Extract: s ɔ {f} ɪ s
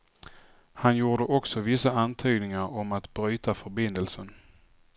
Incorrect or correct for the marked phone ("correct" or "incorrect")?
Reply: incorrect